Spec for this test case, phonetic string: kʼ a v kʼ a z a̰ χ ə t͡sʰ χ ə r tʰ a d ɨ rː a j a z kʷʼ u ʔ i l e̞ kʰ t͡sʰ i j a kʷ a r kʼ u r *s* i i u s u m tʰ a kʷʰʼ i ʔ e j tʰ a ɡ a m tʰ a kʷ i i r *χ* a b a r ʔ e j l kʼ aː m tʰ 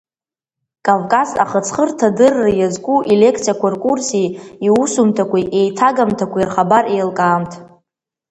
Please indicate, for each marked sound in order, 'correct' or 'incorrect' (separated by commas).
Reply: correct, correct